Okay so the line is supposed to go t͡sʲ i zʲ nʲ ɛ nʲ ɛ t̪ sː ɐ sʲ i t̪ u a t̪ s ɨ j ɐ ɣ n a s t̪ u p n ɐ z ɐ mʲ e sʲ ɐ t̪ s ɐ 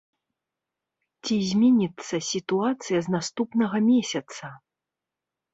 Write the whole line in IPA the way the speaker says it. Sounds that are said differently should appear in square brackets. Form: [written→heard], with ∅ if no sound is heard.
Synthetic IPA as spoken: t͡sʲ i zʲ [nʲ→mʲ] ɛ nʲ [ɛ→i] t̪ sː ɐ sʲ i t̪ u a t̪ s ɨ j ɐ [ɣ→z] n a s t̪ u p n ɐ [z→ɣ] ɐ mʲ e sʲ ɐ t̪ s ɐ

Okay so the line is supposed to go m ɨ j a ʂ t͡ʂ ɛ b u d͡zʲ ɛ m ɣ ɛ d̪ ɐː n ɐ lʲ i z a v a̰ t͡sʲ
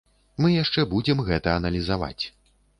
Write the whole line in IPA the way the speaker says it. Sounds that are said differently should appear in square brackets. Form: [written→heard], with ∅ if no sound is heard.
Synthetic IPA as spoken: m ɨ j a ʂ t͡ʂ ɛ b u d͡zʲ ɛ m ɣ ɛ [d̪→t̪] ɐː n ɐ lʲ i z a v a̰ t͡sʲ

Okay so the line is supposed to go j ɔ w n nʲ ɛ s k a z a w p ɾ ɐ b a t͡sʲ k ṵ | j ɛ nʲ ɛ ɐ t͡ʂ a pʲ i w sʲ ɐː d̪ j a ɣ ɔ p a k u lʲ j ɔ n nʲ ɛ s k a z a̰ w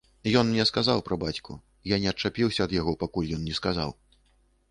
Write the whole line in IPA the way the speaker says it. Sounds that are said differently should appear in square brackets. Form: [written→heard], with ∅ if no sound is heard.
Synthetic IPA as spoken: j ɔ [w→∅] n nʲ ɛ s k a z a w p ɾ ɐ b a t͡sʲ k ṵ | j [ɛ→a] nʲ ɛ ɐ t͡ʂ a pʲ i w sʲ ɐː d̪ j a ɣ ɔ p a k u lʲ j ɔ n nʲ ɛ s k a z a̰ w

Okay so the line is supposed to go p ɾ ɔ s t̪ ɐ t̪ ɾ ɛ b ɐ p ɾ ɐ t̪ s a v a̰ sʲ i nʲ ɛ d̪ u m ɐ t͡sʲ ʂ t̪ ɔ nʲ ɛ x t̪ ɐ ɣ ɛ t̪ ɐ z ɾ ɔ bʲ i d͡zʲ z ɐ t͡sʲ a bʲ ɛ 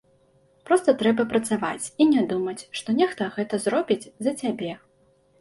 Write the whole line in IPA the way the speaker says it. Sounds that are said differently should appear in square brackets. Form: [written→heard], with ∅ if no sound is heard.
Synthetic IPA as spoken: p ɾ ɔ s t̪ ɐ t̪ ɾ ɛ b ɐ p ɾ ɐ t̪ s a v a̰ [sʲ→t͡sʲ] i nʲ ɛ d̪ u m ɐ t͡sʲ ʂ t̪ ɔ nʲ ɛ x t̪ ɐ ɣ ɛ t̪ ɐ z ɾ ɔ bʲ i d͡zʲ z ɐ t͡sʲ a bʲ ɛ

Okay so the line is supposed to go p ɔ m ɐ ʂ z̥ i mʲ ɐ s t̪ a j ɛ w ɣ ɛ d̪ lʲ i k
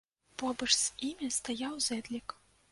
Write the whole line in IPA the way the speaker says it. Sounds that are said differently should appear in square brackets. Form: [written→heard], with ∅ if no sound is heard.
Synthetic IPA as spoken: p ɔ [m→b] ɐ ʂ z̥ i mʲ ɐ s t̪ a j [ɛ→a] w [ɣ→z] ɛ d̪ lʲ i k

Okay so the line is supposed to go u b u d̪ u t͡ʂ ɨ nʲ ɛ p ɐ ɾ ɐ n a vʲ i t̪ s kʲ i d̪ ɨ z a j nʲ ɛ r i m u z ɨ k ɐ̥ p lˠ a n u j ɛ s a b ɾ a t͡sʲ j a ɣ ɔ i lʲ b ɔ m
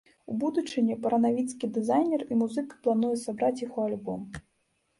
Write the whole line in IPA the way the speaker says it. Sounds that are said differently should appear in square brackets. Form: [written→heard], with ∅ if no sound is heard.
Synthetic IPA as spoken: u b u d̪ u t͡ʂ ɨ nʲ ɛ p ɐ ɾ ɐ n a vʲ i t̪ s kʲ i d̪ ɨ z a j nʲ ɛ r i m u z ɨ k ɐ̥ p lˠ a n u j ɛ s a b ɾ a t͡sʲ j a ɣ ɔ [i→a] lʲ b ɔ m

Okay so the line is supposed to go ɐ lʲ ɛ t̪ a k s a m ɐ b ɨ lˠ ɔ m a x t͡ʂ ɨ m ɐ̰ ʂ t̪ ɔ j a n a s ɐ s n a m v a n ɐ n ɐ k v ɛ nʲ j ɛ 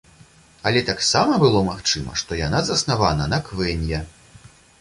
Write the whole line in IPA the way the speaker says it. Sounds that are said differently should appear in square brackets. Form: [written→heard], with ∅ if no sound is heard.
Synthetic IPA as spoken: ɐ lʲ ɛ t̪ a k s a m ɐ b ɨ lˠ ɔ m a x t͡ʂ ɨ m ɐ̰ ʂ t̪ ɔ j a n a [s→z] ɐ s n a [m→∅] v a n ɐ n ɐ k v ɛ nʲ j ɛ

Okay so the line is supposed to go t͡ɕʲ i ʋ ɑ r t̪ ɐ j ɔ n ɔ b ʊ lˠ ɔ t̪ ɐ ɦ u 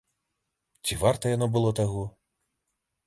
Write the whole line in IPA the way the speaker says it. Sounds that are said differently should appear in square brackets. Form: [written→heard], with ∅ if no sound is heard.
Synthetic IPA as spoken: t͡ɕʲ i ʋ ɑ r t̪ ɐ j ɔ n ɔ b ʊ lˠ ɔ t̪ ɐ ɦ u

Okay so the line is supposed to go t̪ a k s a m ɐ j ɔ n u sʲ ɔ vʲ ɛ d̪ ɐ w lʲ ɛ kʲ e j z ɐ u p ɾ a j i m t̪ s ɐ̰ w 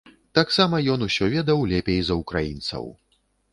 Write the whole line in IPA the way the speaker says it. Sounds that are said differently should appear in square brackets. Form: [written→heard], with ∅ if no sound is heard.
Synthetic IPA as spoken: t̪ a k s a m ɐ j ɔ n u sʲ ɔ vʲ ɛ d̪ ɐ w lʲ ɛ [kʲ→pʲ] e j z ɐ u [p→k] ɾ a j i [m→n] t̪ s ɐ̰ w

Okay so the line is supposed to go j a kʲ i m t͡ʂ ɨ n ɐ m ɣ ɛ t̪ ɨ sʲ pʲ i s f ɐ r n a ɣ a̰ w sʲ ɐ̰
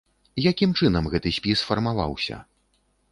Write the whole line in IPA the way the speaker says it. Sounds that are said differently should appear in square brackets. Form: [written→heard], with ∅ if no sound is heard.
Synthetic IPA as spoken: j a kʲ i m t͡ʂ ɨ n ɐ m ɣ ɛ t̪ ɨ sʲ pʲ i s f ɐ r [n→m] a [ɣ→v] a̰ w sʲ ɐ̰

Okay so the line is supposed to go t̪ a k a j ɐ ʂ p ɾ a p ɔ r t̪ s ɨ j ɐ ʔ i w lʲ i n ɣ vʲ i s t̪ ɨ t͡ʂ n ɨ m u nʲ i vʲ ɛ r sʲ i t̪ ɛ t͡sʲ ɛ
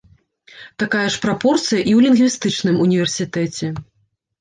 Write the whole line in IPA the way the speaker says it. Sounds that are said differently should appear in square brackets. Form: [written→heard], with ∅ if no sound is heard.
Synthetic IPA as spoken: t̪ a k a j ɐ ʂ p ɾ a p ɔ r t̪ s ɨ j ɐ ʔ i w lʲ i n ɣ vʲ i s t̪ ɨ t͡ʂ n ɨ m u nʲ i vʲ ɛ r sʲ i t̪ ɛ t͡sʲ ɛ

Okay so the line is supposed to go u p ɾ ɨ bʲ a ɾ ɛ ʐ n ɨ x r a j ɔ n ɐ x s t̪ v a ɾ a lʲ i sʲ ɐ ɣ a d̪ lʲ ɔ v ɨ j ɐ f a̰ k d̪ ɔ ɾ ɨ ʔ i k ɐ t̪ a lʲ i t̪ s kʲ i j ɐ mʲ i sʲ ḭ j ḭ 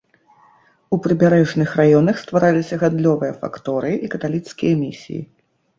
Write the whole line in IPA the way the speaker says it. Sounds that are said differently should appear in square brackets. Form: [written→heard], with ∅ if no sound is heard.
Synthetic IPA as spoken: u p ɾ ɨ bʲ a ɾ ɛ ʐ n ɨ x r a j ɔ n ɐ x s t̪ v a ɾ a lʲ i sʲ ɐ ɣ a d̪ lʲ ɔ v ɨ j ɐ f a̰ k [d̪→t̪] ɔ ɾ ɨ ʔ i k ɐ t̪ a lʲ i t̪ s kʲ i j ɐ mʲ i sʲ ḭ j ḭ

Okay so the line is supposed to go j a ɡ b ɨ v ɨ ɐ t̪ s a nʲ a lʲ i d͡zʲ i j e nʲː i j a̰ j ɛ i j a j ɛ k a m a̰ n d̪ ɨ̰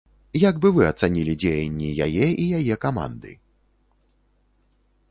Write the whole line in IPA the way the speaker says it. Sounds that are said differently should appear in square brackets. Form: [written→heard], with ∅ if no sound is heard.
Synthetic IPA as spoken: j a ɡ b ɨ v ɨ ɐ t̪ s a nʲ [a→i] lʲ i d͡zʲ [i→e] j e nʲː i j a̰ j ɛ i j a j ɛ k a m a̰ n d̪ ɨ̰

